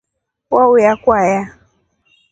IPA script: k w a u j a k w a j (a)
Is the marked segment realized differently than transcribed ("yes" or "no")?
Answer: no